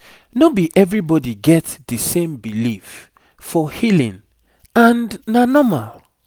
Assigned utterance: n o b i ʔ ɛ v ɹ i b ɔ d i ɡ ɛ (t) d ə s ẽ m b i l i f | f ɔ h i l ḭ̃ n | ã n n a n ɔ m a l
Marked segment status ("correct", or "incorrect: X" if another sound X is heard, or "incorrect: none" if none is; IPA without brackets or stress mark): correct